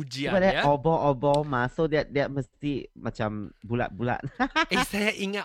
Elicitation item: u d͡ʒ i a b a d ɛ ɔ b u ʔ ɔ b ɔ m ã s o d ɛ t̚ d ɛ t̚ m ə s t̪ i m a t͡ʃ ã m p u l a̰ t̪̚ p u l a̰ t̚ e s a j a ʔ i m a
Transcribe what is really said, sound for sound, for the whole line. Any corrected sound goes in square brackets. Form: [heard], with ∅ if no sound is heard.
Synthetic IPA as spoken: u d͡ʒ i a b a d ɛ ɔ b [ɔ] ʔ ɔ b ɔ m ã s o d ɛ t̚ d ɛ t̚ m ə s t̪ i m a t͡ʃ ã m [b] u l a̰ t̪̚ [b] u l a̰ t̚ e s a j a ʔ i [ŋ] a